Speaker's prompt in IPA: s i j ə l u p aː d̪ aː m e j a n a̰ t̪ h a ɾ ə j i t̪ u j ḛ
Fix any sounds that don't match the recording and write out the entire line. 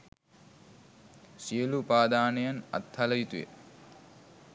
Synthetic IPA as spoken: s i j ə l u p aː d̪ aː n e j a n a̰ t̪ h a l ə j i t̪ u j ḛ